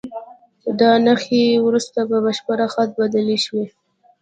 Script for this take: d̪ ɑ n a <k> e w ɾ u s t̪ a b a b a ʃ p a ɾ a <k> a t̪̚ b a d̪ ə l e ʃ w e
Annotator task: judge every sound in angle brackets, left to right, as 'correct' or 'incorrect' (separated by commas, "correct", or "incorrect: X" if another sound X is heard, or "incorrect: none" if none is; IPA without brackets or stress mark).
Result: incorrect: x, incorrect: x